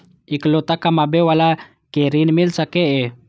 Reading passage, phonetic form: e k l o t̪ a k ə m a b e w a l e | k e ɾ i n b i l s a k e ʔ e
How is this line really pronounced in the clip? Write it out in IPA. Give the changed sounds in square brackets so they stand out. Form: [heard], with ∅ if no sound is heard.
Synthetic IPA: [i] k l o t̪ a k [a] m a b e w a l [a] | k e ɾ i n [m] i l s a k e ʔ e